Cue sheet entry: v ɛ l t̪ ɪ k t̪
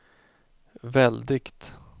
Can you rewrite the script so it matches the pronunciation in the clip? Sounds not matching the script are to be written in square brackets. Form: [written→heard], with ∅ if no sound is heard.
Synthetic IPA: v ɛ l [t̪→d̪] ɪ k t̪